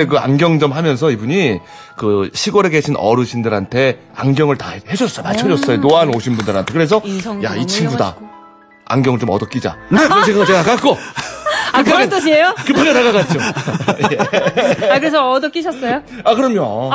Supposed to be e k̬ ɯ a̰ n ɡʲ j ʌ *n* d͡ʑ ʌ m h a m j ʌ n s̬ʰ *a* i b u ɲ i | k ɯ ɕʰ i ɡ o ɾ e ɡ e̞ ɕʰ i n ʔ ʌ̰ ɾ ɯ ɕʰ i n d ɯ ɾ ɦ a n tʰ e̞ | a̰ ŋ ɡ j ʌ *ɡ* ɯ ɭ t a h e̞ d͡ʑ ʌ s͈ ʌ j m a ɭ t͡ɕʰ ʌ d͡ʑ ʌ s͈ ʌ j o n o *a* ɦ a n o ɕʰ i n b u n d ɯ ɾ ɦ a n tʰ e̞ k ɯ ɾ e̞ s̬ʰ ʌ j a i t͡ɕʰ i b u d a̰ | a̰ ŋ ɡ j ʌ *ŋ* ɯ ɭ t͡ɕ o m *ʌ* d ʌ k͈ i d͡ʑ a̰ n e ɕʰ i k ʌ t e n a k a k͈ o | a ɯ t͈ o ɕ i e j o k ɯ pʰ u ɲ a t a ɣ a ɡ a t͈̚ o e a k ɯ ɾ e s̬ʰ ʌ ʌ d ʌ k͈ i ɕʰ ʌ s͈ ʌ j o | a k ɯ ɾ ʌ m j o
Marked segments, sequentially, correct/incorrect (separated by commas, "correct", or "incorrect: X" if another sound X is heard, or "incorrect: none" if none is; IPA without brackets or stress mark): incorrect: ŋ, incorrect: ʌ, incorrect: ŋ, correct, correct, correct